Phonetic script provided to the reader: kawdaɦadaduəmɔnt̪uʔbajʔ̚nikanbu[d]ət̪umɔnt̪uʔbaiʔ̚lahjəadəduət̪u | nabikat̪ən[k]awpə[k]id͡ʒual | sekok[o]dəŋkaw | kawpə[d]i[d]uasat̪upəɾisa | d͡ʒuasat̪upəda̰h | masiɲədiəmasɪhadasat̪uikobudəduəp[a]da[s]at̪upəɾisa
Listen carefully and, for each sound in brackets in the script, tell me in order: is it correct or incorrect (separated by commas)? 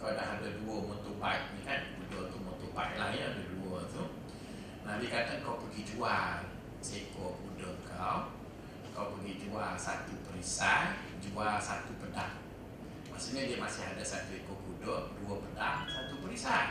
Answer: correct, correct, incorrect, incorrect, incorrect, incorrect, incorrect, correct